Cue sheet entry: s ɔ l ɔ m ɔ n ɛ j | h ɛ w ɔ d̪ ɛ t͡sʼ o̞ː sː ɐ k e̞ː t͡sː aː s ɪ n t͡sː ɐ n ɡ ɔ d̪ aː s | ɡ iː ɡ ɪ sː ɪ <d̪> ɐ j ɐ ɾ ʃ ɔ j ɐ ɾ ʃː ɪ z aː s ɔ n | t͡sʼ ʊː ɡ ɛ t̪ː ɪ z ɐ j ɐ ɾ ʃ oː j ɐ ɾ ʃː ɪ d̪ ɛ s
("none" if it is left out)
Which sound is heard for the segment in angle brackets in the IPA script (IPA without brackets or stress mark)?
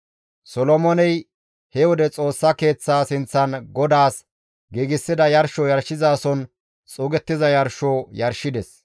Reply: d̪